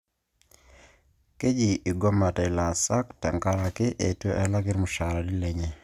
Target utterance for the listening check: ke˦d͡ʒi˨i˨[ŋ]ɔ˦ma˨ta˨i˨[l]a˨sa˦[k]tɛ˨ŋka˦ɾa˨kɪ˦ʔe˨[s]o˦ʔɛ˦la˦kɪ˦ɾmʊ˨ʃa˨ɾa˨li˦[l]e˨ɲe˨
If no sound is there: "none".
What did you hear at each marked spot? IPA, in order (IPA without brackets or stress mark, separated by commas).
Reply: ɡ, l, k, t, l